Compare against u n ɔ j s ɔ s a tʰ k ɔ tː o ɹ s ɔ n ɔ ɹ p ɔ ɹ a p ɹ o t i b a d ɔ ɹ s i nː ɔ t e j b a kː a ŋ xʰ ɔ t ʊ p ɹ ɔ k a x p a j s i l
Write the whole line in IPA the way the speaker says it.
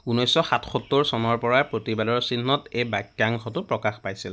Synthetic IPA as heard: u n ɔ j s ɔ x a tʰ x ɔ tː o ɹ s ɔ n ɔ ɹ p ɔ ɹ a p ɹ o t i b a d ɔ ɹ s i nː ɔ t e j b a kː a ŋ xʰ ɔ t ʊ p ɹ ɔ k a x p a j s i l